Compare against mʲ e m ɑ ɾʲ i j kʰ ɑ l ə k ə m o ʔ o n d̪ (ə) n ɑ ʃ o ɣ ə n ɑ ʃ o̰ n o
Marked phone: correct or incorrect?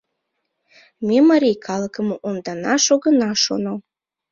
incorrect